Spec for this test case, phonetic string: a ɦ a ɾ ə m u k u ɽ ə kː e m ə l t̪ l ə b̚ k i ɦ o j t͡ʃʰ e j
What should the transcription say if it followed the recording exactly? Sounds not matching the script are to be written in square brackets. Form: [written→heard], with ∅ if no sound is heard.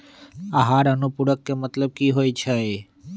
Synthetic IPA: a ɦ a ɾ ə [m→n] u [k→p] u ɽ ə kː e m ə [l→∅] t̪ l ə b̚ k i ɦ o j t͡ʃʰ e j

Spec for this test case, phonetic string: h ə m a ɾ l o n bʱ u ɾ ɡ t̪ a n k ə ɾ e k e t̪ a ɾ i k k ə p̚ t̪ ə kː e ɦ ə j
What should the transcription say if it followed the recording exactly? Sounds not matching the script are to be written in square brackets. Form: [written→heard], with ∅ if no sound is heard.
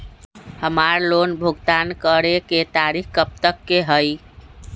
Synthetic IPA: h ə m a ɾ l o n bʱ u [ɾ→∅] ɡ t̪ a n k ə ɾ e k e t̪ a ɾ i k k ə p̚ t̪ ə kː e ɦ ə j

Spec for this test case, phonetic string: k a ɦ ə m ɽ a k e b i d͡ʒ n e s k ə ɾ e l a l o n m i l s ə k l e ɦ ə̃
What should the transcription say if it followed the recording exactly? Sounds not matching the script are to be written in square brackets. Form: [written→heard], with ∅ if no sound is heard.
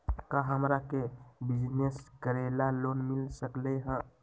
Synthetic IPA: k a ɦ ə m [ɽ→ɾ] a k e b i d͡ʒ n e s k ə ɾ e l a l o n m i l s ə k l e ɦ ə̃

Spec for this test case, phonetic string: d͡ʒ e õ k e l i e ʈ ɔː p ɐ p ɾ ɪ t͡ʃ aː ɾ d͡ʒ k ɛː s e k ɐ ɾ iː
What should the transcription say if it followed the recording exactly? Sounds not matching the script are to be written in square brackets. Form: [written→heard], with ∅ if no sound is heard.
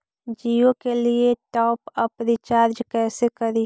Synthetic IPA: d͡ʒ [e→i] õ k e l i e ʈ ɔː p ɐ p ɾ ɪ t͡ʃ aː ɾ d͡ʒ k ɛː s e k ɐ ɾ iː

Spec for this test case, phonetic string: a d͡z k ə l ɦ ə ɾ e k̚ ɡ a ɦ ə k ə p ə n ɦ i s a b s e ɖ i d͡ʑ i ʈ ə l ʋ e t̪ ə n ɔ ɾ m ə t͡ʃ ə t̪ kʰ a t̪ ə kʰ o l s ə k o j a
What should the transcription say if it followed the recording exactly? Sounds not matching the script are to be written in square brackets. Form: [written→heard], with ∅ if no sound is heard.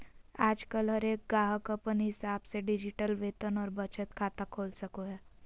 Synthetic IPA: a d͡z k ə l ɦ ə ɾ e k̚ ɡ a ɦ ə k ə p ə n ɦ i s a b s e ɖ i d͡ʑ i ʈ ə l ʋ e t̪ ə n ɔ ɾ [m→b] ə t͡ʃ ə t̪ kʰ a t̪ [ə→a] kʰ o l s ə k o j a

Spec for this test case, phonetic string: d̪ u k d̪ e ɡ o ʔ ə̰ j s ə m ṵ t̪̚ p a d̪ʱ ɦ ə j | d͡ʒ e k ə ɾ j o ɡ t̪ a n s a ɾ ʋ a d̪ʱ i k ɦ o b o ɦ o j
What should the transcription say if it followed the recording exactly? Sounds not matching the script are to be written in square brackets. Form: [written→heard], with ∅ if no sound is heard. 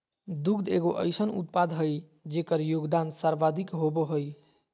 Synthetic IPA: d̪ u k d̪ e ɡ o ʔ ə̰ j s ə [m→n] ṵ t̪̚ p a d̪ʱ ɦ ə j | d͡ʒ e k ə ɾ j o ɡ [t̪→d̪] a n s a ɾ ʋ a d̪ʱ i k ɦ o b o ɦ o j

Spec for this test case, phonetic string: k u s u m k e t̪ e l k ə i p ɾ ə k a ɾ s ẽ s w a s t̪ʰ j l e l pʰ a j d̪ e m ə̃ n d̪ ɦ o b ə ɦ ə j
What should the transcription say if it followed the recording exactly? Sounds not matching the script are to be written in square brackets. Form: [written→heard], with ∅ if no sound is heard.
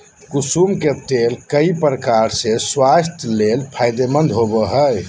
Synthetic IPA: k u s u m k e t̪ e l k ə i p ɾ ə k a ɾ s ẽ s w a s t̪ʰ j l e l pʰ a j d̪ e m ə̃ n d̪ ɦ o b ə ɦ ə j

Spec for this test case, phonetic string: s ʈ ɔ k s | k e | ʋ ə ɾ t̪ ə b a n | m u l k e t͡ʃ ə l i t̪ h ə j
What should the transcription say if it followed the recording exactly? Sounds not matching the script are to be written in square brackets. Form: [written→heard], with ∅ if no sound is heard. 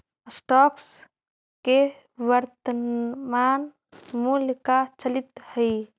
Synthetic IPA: s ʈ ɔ k s | k e | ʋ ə ɾ t̪ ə [b→m] a n | m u l k [e→a] t͡ʃ ə l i t̪ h ə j

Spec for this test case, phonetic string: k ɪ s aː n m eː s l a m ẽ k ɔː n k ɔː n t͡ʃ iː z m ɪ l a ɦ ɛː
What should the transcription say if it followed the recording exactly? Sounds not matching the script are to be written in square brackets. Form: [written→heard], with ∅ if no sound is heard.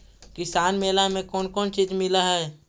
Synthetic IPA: k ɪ s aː n m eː [s→∅] l a m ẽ k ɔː n k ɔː n t͡ʃ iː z m ɪ l a ɦ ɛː

